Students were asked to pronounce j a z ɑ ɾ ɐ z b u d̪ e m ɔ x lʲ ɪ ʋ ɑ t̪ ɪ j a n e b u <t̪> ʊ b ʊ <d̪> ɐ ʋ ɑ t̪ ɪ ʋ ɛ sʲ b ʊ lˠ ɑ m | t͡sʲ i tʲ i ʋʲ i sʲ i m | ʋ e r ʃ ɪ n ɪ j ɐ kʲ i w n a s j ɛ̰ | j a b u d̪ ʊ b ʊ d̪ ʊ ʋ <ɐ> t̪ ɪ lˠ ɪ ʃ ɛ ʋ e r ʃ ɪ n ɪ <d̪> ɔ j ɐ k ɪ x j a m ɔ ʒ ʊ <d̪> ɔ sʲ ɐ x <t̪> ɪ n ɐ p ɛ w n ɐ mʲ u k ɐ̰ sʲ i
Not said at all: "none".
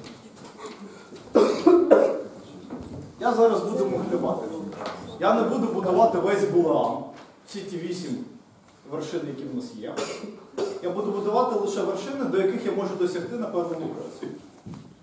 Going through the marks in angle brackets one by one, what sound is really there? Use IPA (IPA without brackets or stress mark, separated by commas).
d̪, d̪, ɑ, d̪, d̪, t̪